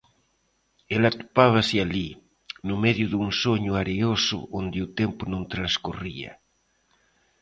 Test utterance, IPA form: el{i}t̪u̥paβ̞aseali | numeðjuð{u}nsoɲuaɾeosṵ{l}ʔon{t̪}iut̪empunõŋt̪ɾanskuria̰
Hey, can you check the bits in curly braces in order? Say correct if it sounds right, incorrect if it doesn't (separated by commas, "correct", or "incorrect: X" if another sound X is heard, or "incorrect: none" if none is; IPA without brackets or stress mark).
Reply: incorrect: a, correct, incorrect: none, incorrect: d̪